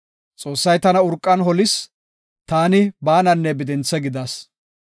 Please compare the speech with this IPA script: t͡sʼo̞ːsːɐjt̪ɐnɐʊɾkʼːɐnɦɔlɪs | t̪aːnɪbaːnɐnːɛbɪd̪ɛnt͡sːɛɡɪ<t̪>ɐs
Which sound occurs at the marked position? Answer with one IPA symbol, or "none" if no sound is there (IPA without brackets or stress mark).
d̪